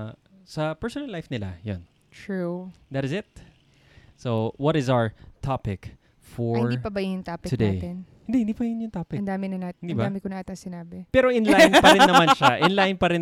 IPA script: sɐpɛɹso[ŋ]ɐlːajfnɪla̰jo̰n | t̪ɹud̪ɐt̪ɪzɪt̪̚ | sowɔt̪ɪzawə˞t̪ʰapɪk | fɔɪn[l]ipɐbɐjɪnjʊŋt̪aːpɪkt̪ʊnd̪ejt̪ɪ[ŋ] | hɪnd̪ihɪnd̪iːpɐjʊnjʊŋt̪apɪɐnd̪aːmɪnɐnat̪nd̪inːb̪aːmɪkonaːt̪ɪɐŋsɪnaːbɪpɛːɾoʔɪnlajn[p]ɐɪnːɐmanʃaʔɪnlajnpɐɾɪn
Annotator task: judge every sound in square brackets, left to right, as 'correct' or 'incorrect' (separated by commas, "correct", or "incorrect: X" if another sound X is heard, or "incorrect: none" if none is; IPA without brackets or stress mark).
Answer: incorrect: n, incorrect: ɹ, incorrect: n, correct